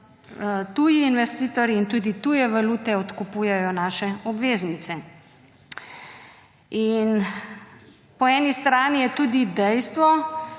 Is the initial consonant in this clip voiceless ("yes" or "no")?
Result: yes